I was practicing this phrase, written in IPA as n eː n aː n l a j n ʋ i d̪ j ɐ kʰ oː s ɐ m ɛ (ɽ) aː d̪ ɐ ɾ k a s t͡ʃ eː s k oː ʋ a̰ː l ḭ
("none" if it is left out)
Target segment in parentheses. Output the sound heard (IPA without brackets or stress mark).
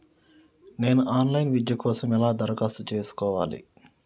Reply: l